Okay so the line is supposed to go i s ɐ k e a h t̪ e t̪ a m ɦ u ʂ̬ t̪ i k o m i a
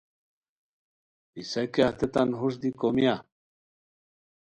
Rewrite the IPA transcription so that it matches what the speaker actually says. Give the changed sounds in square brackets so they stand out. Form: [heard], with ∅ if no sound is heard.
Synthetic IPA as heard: i s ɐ k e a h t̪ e t̪ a [n] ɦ u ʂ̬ [d̪] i k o m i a